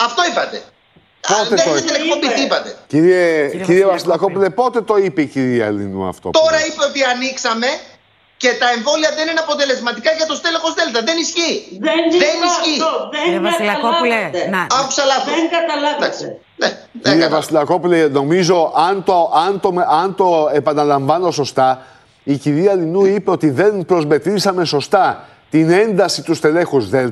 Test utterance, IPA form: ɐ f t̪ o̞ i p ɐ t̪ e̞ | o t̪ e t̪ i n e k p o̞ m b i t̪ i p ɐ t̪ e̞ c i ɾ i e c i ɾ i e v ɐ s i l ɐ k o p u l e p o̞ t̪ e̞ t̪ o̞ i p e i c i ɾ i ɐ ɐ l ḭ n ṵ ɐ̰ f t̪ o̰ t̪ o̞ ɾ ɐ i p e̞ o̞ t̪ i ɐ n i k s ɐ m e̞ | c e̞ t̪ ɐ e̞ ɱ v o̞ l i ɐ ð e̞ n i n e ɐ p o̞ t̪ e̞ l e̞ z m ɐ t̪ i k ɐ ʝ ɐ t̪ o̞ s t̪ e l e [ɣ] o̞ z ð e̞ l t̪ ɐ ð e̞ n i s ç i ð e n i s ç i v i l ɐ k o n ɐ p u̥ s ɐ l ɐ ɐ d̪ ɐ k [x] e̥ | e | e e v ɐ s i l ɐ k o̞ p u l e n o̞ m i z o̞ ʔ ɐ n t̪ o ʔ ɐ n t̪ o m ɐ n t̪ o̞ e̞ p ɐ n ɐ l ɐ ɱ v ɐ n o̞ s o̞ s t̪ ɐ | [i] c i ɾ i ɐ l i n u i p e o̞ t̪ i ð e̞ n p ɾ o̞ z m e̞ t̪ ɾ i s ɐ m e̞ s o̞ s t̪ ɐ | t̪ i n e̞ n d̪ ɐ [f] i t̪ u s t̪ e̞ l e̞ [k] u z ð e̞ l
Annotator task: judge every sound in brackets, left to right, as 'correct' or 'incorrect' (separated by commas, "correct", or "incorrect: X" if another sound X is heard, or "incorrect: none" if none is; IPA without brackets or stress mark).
incorrect: x, incorrect: s, correct, incorrect: s, incorrect: x